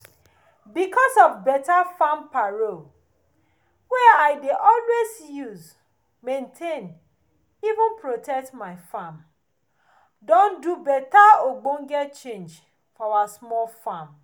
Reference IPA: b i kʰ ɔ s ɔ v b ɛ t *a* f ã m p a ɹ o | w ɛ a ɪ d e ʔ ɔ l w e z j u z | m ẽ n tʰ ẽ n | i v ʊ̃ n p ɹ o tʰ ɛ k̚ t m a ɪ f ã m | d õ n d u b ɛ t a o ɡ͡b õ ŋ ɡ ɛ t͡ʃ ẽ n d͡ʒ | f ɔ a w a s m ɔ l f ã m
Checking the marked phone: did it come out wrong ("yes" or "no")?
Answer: no